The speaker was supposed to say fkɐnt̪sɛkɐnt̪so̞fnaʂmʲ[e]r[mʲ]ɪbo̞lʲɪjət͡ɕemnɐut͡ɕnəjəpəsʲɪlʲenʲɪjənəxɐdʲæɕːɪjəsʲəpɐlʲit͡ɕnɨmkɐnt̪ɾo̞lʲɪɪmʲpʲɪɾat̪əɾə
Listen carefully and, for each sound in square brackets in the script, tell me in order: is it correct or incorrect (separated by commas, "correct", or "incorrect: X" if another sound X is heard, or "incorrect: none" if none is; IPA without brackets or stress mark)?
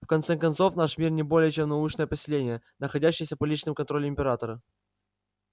incorrect: i, incorrect: nʲ